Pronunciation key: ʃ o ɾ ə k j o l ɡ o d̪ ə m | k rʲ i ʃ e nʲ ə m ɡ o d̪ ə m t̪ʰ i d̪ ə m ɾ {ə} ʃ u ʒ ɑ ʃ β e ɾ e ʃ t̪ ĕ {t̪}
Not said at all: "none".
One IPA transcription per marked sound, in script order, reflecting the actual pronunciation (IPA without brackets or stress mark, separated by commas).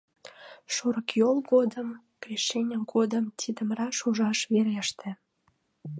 ɑ, none